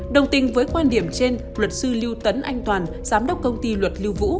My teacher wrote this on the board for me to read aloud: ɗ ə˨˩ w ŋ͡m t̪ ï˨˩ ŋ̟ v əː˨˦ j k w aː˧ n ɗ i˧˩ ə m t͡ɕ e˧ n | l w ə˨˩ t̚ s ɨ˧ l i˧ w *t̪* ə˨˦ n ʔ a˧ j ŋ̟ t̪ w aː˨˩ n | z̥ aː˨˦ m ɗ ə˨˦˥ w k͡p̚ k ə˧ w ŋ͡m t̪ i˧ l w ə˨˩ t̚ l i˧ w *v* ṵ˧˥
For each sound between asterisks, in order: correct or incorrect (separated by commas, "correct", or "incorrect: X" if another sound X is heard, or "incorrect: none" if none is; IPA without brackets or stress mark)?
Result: correct, correct